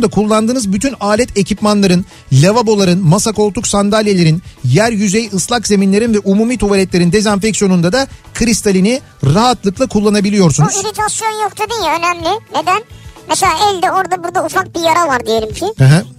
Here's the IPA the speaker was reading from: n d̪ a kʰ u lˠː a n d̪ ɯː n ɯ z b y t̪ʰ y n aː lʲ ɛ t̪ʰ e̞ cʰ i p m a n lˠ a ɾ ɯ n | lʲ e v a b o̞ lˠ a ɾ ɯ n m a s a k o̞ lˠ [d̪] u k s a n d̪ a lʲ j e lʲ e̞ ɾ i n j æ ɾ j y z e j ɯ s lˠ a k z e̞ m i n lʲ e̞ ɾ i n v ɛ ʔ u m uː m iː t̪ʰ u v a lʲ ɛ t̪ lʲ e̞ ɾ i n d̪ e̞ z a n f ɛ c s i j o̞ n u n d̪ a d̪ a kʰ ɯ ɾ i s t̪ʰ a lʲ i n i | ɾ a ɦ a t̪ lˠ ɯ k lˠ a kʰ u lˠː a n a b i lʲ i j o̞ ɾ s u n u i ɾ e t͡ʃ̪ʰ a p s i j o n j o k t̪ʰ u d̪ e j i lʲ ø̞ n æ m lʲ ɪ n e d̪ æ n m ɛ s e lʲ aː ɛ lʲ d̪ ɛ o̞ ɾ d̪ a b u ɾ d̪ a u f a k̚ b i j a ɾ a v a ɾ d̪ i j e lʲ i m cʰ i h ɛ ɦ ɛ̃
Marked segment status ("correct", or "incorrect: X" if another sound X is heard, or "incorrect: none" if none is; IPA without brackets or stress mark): incorrect: t̪